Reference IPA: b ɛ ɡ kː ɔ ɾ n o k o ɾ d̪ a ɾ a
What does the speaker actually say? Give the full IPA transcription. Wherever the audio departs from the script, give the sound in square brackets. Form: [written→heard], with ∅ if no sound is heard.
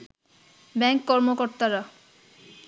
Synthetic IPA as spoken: b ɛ [ɡ→ŋ] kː ɔ ɾ [n→m] o k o ɾ [d̪→t̪] a ɾ a